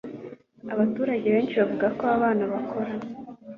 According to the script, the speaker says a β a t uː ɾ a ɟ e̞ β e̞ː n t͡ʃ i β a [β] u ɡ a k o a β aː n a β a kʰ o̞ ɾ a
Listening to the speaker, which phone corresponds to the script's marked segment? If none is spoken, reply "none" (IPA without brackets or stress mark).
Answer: v